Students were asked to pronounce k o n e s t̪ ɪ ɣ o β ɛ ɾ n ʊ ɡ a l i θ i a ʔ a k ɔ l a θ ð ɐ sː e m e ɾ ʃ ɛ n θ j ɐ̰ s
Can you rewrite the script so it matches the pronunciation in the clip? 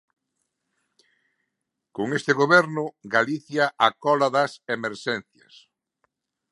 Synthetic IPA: k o ŋ e s t̪ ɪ ɣ o β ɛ ɾ n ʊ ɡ a l i θ j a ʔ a k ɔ l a ð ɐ s e m e ɾ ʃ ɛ n θ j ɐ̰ s

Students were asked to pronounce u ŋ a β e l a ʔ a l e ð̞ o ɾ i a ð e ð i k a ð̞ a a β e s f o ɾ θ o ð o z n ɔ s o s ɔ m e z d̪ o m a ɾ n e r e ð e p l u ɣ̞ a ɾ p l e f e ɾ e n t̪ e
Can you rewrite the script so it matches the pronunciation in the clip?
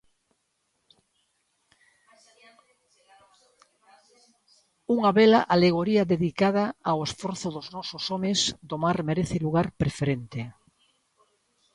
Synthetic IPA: u ŋ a β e l a ʔ a l e ɣ̞ o ɾ i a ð e ð i k a ð̞ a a w e s f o ɾ θ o ð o z n ɔ s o s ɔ m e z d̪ o m a ɾ m e ɾ e θ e l u ɣ̞ a ɾ p ɾ e f e ɾ e n t̪ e

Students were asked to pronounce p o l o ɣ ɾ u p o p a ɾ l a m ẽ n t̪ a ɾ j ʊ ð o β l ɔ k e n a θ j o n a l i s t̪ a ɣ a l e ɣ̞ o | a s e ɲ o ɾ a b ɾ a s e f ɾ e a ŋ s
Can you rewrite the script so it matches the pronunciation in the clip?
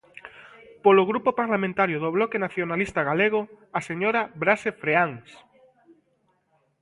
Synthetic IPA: p o l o ɣ ɾ u p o p a ɾ l a m ẽ n t̪ a ɾ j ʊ ð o β l ɔ k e n a θ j o n a l i s t̪ a ɣ a l e ɣ̞ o | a s e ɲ o ɾ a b ɾ a s e f ɾ e a ŋ s

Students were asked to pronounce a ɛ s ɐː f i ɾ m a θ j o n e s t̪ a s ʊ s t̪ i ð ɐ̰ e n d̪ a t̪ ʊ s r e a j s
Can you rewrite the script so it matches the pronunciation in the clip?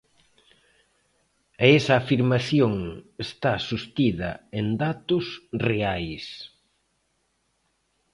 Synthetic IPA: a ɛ s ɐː f i ɾ m a θ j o ŋ e s t̪ a s u s t̪ i ð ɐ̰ e n d̪ a t̪ ʊ s r e a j s

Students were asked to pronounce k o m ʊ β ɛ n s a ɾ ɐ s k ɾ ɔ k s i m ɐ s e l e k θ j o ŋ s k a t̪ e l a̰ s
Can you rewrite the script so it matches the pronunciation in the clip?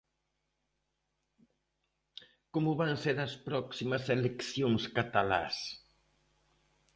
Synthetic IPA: k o m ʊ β a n s e ɾ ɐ s p ɾ ɔ k s i m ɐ s e l e k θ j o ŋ s k a t̪ a l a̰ s

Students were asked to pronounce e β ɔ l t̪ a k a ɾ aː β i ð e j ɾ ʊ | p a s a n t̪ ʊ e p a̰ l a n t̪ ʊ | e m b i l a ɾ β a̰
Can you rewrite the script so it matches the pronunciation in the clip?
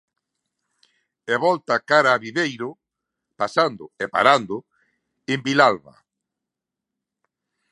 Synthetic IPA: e β ɔ l t̪ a k a ɾ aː β i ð e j ɾ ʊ | p a s a n d̪ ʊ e p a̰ ɾ a n d̪ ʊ | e m b i l a l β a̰

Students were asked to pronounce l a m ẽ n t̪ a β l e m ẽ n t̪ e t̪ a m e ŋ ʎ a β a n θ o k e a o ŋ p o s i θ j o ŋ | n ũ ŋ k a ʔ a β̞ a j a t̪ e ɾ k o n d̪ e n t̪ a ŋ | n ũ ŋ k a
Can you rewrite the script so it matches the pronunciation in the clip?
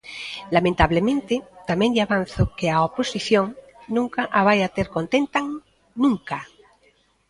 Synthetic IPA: l a m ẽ n t̪ a β l e m ẽ n t̪ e t̪ a m e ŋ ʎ a β a n θ o k e a o p o s i θ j o ŋ | n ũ ŋ k a ʔ a β̞ a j a t̪ e ɾ k o n t̪ e n t̪ a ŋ | n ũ ŋ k a

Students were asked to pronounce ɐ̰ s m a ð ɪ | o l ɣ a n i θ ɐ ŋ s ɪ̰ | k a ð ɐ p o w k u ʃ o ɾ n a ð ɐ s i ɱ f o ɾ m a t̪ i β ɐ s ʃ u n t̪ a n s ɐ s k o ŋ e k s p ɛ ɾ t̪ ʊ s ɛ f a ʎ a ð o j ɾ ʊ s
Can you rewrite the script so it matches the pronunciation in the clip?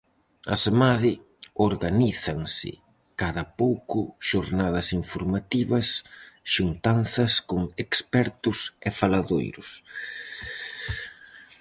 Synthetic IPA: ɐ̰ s m a ð ɪ | o ɾ ɣ a n i θ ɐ ŋ s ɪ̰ | k a ð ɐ p o w k ʊ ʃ o ɾ n a ð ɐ s i ɱ f o ɾ m a t̪ i β ɐ s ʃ u n t̪ a n θ ɐ s k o ŋ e k s p ɛ ɾ t̪ ʊ s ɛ f a l a ð o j ɾ ʊ s

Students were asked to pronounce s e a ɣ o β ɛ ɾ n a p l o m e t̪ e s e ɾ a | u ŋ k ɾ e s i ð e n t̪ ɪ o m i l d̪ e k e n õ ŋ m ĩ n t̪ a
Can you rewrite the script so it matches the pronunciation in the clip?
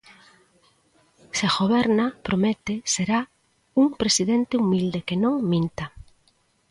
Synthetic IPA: s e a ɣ o β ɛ ɾ n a p ɾ o m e t̪ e s e ɾ a | u ŋ p ɾ e s i ð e n t̪ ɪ u m i l d̪ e k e n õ ŋ m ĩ n t̪ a

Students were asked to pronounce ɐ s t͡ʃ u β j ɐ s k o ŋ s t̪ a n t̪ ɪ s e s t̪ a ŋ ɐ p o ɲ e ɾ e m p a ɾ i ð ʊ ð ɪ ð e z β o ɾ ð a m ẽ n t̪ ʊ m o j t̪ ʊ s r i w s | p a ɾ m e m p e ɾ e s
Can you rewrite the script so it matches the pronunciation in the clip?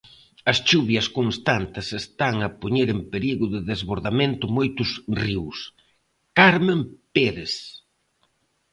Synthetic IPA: ɐ s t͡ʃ u β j ɐ s k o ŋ s t̪ a n t̪ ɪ s e s t̪ a ŋ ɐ p o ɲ e ɾ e m p e ɾ i ɣ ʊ ð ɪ ð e z β o ɾ ð a m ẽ n t̪ ʊ m o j t̪ ʊ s r i w s | k a ɾ m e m p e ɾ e s

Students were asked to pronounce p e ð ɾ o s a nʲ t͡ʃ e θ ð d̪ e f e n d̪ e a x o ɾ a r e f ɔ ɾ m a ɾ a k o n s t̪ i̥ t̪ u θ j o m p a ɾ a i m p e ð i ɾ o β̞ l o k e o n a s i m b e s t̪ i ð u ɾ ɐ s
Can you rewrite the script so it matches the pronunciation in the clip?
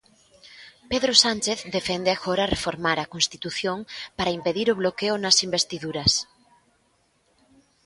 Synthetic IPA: p e ð ɾ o s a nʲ t͡ʃ e θ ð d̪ e f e n d̪ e a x o ɾ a r e f o ɾ m a ɾ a k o n s t̪ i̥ t̪ u θ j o ŋ p a ɾ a i m p e ð i ɾ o β̞ l o k e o n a s i m b e s t̪ i ð u ɾ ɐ s

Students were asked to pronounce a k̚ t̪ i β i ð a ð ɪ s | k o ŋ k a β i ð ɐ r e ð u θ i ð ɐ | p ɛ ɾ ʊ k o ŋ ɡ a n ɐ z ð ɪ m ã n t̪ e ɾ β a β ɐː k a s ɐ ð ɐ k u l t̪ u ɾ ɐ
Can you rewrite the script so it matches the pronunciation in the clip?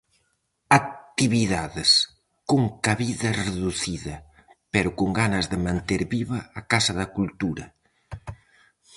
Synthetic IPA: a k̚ t̪ i β i ð a ð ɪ s | k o ŋ k a β i ð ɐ r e ð u θ i ð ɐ | p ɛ ɾ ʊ k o ŋ ɡ a n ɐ z ð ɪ m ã n t̪ e ɾ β i β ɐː k a s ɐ ð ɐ k u l t̪ u ɾ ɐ

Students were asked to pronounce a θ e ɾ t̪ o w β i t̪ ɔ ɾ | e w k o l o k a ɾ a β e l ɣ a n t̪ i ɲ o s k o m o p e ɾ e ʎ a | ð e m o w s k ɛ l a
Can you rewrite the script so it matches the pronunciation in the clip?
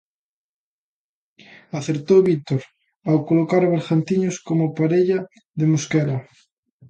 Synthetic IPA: a θ e ɾ t̪ o w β i t̪ o ɾ | a w k o l o k a ɾ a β e ɾ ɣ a n t̪ i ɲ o s k o m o p a ɾ e ʎ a | ð e m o s k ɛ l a

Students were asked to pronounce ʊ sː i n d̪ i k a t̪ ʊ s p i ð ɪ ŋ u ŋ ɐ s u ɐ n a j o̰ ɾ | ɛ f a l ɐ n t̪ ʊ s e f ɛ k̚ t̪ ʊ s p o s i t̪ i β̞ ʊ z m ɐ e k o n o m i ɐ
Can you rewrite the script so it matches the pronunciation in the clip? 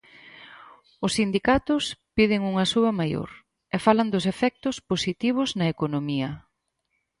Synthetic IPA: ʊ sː i n d̪ i k a t̪ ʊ s p i ð ɪ ŋ u ŋ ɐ s u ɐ m a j o̰ ɾ | ɛ f a l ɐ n d̪ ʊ s e f ɛ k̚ t̪ ʊ s p o s i t̪ i β̞ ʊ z n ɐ e k o n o m i ɐ

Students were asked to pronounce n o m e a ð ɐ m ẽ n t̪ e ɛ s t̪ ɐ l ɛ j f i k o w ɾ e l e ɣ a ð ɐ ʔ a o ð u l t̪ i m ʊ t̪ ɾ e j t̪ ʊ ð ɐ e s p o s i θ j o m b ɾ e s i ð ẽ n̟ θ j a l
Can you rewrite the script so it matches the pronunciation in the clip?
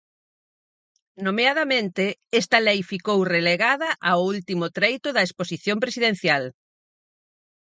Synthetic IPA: n o m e a ð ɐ m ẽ n t̪ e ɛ s t̪ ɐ l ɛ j f i k o w r e l e ɣ a ð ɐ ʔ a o u l t̪ i m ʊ t̪ ɾ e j t̪ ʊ ð ɐ e s p o s i θ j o m p ɾ e s i ð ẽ n̟ θ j a l

